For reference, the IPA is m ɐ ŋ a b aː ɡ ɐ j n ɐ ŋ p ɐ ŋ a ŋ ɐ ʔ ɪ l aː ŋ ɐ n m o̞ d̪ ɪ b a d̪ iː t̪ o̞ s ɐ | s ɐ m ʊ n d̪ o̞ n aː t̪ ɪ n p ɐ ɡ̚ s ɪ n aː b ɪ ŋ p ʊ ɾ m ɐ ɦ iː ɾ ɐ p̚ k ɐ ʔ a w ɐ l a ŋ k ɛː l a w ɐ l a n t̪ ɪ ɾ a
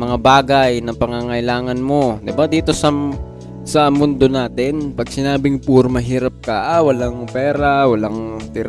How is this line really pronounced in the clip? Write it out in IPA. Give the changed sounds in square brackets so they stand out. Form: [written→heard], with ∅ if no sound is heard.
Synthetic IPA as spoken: m ɐ ŋ a b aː ɡ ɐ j n ɐ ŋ p ɐ ŋ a ŋ ɐ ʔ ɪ l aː ŋ ɐ n m o̞ d̪ ɪ b a d̪ iː t̪ o̞ s ɐ | s ɐ m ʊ n d̪ o̞ n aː t̪ ɪ n p ɐ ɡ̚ s ɪ n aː b ɪ ŋ p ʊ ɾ m ɐ ɦ iː ɾ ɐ p̚ k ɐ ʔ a w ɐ l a ŋ [k→p] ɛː [l→ɾ] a w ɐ l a [n→ŋ] t̪ ɪ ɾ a